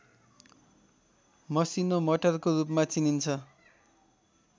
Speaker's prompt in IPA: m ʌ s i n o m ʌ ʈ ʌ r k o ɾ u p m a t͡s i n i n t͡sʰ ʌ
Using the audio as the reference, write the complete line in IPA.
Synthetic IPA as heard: m ʌ s i n o m ʌ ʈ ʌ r k o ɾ u p m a t͡s i n i n t͡sʰ ʌ